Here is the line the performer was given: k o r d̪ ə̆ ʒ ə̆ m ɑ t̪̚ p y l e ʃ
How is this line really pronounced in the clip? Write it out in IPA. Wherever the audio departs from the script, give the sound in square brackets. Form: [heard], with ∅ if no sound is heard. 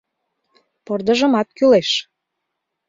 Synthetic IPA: [p] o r d̪ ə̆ ʒ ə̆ m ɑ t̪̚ [k] y l e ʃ